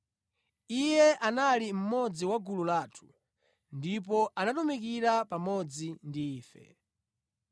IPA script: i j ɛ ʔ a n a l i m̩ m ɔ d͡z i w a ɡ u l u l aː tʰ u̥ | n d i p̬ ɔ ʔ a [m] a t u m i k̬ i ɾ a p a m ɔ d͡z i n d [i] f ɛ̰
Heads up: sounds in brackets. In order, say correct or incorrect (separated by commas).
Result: incorrect, incorrect